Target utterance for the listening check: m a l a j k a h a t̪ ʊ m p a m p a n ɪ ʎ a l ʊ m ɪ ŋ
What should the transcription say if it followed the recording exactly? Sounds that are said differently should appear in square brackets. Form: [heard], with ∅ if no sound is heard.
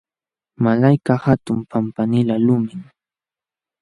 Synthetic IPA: m a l a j k a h a t̪ ʊ m p a m p a n ɪ [l] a l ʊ m ɪ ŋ